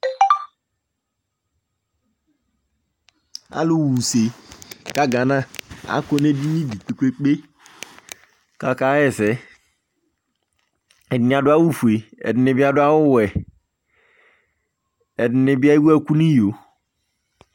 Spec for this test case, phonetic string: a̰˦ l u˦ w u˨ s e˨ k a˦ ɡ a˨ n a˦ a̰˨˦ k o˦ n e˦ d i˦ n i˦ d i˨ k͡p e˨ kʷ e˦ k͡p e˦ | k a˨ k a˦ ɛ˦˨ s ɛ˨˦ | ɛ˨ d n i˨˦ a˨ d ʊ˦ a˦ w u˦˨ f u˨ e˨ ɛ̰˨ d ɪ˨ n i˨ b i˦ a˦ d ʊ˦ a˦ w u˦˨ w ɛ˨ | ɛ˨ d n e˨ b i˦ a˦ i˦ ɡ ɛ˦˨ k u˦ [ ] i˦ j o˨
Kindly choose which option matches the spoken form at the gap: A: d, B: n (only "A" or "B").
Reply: B